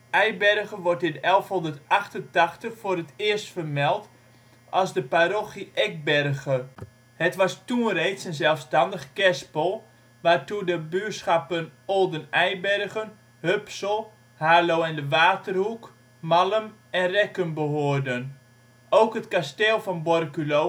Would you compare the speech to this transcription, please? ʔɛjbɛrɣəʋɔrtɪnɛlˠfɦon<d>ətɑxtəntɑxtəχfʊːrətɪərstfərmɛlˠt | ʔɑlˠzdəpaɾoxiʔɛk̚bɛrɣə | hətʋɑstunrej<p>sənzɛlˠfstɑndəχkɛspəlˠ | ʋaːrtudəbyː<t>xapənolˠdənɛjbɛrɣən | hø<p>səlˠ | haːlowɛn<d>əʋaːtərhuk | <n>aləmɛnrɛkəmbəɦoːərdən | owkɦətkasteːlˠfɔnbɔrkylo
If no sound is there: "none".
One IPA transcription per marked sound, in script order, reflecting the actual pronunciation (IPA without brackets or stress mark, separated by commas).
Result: d, t, s, p, d, m